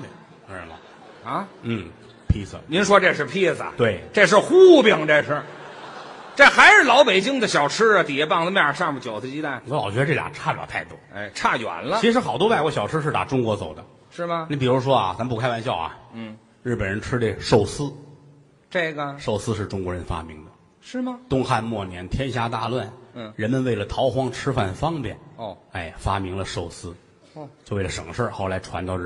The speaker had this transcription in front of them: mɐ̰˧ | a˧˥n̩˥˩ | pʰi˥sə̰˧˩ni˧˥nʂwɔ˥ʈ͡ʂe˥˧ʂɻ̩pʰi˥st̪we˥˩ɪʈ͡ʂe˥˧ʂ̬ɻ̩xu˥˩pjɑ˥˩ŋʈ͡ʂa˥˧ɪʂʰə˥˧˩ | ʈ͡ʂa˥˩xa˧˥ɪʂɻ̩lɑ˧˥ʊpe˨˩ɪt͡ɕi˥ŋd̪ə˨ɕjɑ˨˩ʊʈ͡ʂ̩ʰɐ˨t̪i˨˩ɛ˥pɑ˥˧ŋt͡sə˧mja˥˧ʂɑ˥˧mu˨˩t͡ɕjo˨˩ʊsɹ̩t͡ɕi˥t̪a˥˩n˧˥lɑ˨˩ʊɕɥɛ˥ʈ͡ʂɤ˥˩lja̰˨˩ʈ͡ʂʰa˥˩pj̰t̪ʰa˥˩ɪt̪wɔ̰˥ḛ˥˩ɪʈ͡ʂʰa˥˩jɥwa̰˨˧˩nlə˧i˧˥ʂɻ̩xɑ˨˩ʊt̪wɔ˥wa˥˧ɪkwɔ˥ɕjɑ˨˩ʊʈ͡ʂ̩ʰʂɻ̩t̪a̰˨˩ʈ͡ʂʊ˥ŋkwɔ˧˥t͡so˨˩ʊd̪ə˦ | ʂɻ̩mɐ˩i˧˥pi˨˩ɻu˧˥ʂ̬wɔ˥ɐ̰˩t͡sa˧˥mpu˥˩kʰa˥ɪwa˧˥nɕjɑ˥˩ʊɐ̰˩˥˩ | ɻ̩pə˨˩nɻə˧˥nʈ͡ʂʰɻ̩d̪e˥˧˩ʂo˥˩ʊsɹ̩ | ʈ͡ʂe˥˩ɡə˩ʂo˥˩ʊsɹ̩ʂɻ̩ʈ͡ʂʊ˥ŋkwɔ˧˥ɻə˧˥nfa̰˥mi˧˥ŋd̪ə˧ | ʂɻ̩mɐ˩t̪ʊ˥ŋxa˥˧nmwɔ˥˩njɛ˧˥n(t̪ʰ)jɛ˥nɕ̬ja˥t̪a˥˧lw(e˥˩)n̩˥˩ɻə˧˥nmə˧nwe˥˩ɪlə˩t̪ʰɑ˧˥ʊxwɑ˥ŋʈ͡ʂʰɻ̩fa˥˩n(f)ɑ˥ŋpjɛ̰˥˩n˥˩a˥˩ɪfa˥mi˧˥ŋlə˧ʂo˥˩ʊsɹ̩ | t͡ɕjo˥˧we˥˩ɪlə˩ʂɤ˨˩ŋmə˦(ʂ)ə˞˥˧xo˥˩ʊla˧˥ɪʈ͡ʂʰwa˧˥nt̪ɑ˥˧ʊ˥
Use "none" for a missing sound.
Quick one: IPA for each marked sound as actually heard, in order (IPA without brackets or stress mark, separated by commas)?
t̪ʰ, a˥˩, f, ʂ